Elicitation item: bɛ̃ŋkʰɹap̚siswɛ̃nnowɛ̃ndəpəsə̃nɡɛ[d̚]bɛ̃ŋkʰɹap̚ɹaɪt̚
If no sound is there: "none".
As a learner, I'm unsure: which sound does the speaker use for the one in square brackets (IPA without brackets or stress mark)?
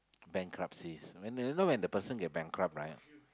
t̚